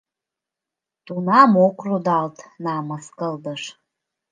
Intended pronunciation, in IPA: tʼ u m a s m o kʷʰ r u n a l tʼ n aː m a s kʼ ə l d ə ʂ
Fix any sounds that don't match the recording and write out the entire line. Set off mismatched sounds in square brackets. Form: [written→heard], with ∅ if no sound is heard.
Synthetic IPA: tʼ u [m→n] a [s→∅] m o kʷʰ r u [n→d] a l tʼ n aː m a s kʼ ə l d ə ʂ